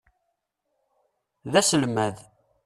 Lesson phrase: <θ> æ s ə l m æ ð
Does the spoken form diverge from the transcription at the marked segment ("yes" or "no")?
yes